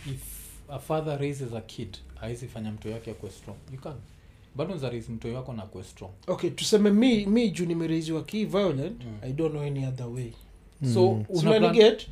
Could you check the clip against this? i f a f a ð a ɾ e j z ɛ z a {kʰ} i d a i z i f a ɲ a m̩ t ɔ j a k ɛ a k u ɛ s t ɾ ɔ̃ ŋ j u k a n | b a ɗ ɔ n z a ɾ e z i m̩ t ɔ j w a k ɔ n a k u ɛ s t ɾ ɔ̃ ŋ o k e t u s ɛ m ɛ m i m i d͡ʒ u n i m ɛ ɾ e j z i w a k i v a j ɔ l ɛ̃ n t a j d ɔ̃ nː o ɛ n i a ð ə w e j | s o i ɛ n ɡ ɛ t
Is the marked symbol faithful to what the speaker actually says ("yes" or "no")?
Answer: yes